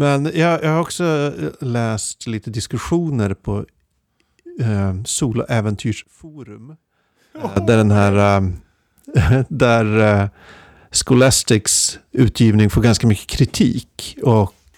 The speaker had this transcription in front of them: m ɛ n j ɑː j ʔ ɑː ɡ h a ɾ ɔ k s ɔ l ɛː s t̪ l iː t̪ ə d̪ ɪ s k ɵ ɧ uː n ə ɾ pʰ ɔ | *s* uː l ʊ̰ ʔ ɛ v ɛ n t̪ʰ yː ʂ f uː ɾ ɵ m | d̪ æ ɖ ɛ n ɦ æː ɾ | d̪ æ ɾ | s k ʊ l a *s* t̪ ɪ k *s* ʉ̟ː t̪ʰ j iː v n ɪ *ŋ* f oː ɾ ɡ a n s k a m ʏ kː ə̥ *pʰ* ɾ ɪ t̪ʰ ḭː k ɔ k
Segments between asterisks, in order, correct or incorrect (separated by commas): correct, correct, correct, correct, incorrect